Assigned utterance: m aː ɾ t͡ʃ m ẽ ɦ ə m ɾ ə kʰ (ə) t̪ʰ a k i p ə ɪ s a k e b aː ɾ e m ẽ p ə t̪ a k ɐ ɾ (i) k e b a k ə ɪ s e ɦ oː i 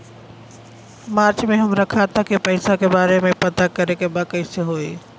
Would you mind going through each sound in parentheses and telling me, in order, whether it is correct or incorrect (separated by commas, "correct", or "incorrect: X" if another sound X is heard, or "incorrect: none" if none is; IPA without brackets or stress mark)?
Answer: incorrect: a, incorrect: e